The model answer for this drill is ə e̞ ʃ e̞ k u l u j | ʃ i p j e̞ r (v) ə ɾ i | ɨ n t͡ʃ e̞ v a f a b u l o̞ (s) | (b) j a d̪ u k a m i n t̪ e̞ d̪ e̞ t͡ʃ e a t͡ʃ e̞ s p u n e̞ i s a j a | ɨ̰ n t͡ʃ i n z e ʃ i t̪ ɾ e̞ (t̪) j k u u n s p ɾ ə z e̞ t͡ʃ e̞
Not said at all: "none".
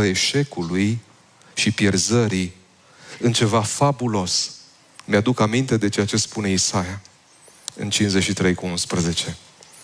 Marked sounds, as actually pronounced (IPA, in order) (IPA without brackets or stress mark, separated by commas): z, s, m, none